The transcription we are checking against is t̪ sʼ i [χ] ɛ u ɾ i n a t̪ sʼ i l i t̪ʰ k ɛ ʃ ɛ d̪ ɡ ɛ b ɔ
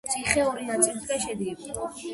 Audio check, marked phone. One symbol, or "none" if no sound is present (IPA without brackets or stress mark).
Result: χ